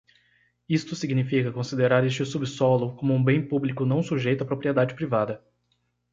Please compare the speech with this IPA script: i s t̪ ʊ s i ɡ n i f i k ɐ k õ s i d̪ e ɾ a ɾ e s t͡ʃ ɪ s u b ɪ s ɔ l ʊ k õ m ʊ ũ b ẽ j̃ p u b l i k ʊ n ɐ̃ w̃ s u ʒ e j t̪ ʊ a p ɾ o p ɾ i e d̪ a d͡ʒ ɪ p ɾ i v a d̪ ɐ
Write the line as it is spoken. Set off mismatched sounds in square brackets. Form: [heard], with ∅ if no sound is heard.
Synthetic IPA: i s t̪ ʊ s i ɡ n i f i k ɐ k õ s i d̪ e ɾ a ɾ e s t͡ʃ ɪ s u b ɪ s ɔ l ʊ k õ m ʊ ũ b ẽ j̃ p u b l i k ʊ n ɐ̃ w̃ s u ʒ e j t̪ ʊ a p ɾ o p ɾ i e d̪ a d͡ʒ ɪ p ɾ i v a d̪ ɐ